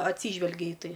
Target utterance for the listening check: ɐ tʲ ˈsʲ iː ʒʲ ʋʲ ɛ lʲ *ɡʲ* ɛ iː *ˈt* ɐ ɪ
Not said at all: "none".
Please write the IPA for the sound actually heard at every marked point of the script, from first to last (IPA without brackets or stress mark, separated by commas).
ɡʲ, t